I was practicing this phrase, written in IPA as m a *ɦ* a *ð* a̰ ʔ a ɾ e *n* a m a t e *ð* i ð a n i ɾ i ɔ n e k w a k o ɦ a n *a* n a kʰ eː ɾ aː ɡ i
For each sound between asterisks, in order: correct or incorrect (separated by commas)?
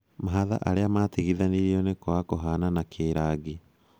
correct, correct, incorrect, incorrect, correct